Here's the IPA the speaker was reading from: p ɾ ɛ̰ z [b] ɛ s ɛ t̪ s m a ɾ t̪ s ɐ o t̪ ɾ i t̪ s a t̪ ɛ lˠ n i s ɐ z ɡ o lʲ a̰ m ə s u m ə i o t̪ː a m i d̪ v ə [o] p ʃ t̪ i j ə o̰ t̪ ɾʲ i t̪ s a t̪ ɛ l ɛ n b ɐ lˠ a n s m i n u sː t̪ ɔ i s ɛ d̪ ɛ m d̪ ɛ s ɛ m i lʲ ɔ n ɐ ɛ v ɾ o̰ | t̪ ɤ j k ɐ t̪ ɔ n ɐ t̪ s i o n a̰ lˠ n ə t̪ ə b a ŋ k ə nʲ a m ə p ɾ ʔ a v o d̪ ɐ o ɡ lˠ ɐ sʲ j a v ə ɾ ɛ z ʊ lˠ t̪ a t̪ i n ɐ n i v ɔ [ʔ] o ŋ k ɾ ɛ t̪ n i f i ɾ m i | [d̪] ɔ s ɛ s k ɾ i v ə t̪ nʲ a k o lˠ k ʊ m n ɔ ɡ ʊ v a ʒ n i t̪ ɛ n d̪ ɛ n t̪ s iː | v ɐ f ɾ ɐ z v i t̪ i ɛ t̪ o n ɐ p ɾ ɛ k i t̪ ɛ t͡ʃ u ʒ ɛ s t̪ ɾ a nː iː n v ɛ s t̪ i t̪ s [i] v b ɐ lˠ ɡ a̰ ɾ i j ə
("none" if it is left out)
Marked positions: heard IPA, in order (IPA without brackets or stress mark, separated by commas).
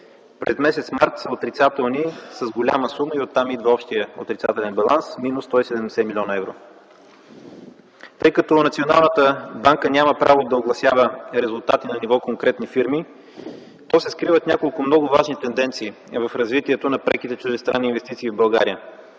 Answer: m, ɔ, k, t̪, iː